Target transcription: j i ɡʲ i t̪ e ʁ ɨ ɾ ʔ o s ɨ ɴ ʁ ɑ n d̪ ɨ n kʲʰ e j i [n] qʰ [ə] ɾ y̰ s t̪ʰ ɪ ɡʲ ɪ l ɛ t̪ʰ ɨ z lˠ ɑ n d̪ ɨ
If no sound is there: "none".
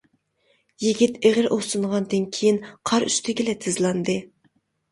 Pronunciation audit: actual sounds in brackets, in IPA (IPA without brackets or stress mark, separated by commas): n, ɑ